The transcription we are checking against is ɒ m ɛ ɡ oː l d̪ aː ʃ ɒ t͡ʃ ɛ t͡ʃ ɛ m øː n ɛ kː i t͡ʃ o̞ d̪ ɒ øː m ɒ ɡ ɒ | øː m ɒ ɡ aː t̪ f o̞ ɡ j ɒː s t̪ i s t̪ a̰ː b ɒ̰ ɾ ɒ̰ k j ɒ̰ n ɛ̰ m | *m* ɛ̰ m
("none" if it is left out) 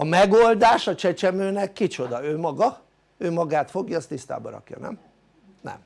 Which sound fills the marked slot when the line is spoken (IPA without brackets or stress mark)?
n